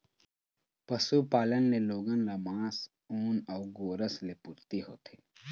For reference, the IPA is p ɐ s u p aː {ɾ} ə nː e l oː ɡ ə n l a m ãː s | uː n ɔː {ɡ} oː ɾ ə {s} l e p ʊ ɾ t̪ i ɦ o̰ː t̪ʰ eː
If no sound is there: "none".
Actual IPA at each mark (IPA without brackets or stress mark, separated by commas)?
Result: l, ɡ, s